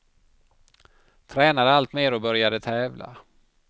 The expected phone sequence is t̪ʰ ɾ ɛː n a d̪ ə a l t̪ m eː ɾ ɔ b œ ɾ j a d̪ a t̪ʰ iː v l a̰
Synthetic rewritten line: t̪ʰ ɾ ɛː n a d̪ ə a l t̪ m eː ɾ ɔ b œ ɾ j a d̪ ə t̪ʰ ɛː v l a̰

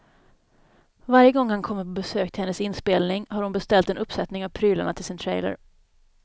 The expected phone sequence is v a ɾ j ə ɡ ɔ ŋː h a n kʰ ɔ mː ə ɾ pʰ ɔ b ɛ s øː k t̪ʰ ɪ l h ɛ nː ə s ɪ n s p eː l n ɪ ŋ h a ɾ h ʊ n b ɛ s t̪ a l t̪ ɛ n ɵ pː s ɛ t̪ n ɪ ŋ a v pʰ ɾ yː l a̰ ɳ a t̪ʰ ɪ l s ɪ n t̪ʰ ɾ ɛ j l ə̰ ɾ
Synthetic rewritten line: v a ɾ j ə ɡ ɔ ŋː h a n kʰ ɔ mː ə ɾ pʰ ɔ b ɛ s øː k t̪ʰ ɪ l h ɛ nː ə s ɪ n s p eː l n ɪ ŋ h a ɾ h ʊ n b ɛ s t̪ ɛ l t̪ ɛ n ɵ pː s ɛ t̪ n ɪ ŋ a v pʰ ɾ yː l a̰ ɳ a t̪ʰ ɪ l s ɪ n t̪ʰ ɾ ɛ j l ə̰ ɾ

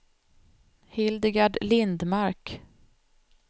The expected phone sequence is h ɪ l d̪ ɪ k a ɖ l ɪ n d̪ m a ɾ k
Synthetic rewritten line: h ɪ l d̪ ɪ ɡ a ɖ l ɪ n d̪ m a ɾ k

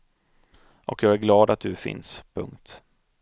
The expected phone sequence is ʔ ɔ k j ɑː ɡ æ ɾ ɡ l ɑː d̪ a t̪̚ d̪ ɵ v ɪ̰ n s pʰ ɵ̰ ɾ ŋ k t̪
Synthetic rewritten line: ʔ ɔ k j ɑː ɡ æ ɾ ɡ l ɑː d̪ a t̪̚ d̪ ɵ f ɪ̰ n s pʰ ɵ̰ ŋ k t̪

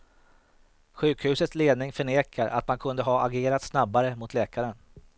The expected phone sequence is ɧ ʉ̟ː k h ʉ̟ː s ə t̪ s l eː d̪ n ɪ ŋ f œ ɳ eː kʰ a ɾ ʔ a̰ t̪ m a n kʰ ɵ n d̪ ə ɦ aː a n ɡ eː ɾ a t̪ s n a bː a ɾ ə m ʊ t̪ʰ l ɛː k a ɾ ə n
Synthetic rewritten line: ɧ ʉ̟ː k h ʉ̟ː s ə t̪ s l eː d̪ n ɪ ŋ f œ ɳ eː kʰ a ɾ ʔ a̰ t̪ m a n kʰ ɵ n d̪ ə ɦ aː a ɡ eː ɾ a t̪ s n a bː a ɾ ə m ʊ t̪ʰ l ɛː k a ɾ ə n

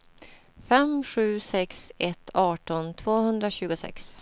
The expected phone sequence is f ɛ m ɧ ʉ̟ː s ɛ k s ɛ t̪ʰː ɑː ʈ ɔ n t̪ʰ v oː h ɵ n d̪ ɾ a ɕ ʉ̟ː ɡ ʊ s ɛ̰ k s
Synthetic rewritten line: f ɛ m ɧ ʉ̟ː s ɛ k s ɛ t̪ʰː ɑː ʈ ɔ n t̪ʰ v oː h ɵ n d̪ ɾ a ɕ ʉ̟ː ɡ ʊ s ɛ̰ k s

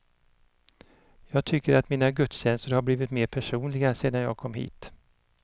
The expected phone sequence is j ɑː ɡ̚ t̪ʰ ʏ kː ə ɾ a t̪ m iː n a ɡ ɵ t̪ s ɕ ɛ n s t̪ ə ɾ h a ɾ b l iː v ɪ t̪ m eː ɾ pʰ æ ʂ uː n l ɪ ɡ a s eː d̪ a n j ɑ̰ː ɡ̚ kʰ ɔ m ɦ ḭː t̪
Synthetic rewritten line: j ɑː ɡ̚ t̪ʰ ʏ kː ə ɾ a t̪ m iː n a ɡ ɵ t̪ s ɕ ɛ n s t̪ ə ɾ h a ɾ b l iː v ɪ t̪ m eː ɾ pʰ æ ʂ uː n l ɪ ɡ a s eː d̪ a n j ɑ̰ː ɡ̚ kʰ ɔ m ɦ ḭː t̪

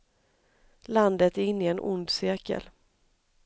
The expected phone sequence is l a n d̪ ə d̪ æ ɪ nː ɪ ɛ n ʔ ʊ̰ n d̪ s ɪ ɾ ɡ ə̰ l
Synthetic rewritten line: l a n d̪ ə t̪ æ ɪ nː ɪ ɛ n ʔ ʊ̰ n d̪ s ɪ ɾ k ə̰ l

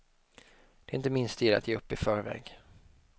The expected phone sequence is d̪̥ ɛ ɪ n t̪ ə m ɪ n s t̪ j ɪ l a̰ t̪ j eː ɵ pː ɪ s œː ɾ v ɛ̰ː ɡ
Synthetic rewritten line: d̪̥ ɛ ɪ n t̪ ə m ɪ n s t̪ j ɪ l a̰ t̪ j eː ɵ pː ɪ f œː ɾ v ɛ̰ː ɡ

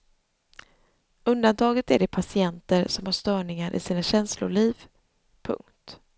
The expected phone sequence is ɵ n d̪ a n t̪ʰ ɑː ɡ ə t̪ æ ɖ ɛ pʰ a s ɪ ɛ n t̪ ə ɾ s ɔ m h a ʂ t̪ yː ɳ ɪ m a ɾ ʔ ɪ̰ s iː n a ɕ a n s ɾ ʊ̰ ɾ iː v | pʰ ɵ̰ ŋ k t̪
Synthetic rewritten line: ɵ n d̪ a n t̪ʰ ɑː ɡ ə t̪ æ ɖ ɛ pʰ a s ɪ ɛ n t̪ ə ɾ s ɔ m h a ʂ t̪ œː ɳ ɪ ŋ a ɾ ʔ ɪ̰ s iː n a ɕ ɛ n s l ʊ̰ ɭ iː v | pʰ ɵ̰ ŋ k t̪

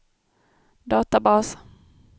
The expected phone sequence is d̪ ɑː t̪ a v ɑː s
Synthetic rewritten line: d̪ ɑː t̪ a b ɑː s

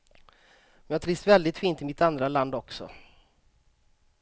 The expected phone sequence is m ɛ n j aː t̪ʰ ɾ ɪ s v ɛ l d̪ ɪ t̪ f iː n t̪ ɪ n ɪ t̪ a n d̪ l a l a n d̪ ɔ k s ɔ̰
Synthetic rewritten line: m ɛ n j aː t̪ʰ ɾ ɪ s v ɛ l d̪ ɪ t̪ f iː n t̪ ɪ m ɪ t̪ a n d̪ ɾ a l a n d̪ ɔ k s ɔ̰

